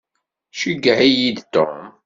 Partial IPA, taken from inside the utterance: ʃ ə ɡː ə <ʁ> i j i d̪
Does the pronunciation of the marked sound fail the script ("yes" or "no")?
yes